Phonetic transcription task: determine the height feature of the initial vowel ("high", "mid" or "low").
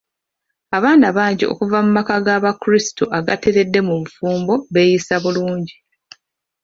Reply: low